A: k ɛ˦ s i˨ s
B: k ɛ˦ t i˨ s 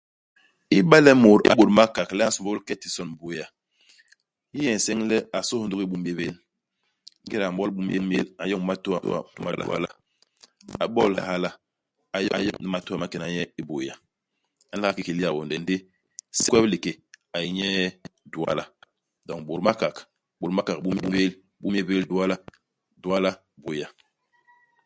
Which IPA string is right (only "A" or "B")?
B